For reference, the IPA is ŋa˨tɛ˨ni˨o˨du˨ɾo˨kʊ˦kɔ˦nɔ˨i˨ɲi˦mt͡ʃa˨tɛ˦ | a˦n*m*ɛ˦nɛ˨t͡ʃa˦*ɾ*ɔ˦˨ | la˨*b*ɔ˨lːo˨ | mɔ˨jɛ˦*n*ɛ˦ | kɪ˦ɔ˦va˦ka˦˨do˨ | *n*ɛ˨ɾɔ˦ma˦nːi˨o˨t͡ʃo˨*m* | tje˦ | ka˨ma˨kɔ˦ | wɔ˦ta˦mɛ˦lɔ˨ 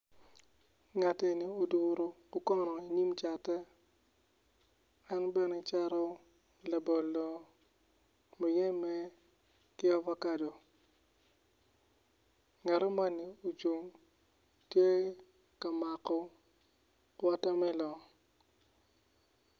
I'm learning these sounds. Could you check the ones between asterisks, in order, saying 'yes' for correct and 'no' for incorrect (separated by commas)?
no, yes, yes, no, no, no